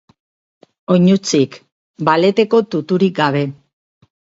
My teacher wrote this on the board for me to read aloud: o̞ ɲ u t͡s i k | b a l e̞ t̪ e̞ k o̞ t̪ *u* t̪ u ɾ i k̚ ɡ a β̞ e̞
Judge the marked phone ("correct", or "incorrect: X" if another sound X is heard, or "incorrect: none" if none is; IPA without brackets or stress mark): correct